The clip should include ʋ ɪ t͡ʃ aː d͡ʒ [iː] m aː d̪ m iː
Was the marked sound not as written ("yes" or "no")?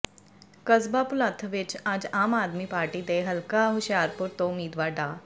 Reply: yes